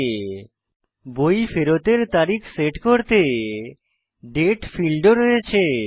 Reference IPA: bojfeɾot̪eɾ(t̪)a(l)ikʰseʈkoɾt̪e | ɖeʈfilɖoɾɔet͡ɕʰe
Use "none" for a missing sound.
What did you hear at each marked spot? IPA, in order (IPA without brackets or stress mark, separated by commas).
t̪, ɾ